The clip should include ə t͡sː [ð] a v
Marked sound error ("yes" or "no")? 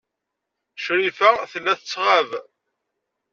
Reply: yes